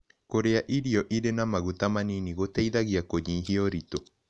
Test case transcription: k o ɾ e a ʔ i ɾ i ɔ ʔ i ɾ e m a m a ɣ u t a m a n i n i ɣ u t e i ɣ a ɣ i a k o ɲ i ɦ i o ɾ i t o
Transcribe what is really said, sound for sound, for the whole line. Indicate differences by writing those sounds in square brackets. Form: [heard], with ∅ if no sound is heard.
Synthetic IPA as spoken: k o ɾ e a ʔ i ɾ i ɔ ʔ i ɾ e [n] a m a ɣ u t a m a n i n i ɣ [o] t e i [ð] a ɣ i a k o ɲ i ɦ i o ɾ i t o